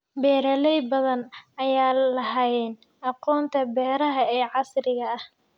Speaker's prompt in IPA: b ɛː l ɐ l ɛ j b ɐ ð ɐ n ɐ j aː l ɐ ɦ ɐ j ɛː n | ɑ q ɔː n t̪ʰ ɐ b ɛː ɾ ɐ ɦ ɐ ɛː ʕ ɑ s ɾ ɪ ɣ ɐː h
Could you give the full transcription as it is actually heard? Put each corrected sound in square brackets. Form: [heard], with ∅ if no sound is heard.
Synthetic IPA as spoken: b ɛː [ɾ] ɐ l ɛ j b ɐ ð ɐ n ɐ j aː l ɐ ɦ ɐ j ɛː n | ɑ q ɔː n t̪ʰ ɐ b ɛː ɾ ɐ ɦ ɐ ɛː ʕ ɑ s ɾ ɪ ɣ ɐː h